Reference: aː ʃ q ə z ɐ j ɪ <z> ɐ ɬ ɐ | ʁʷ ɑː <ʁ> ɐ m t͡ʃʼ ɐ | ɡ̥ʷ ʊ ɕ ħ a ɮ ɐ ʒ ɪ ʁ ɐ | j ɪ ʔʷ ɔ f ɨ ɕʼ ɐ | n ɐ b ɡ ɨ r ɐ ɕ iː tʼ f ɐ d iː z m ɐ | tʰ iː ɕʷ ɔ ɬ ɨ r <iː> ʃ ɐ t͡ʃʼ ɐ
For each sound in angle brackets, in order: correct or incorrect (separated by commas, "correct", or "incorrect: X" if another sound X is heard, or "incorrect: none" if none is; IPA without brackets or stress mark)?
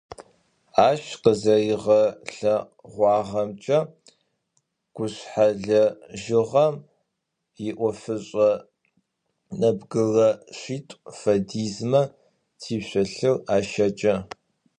incorrect: ʁ, correct, incorrect: aː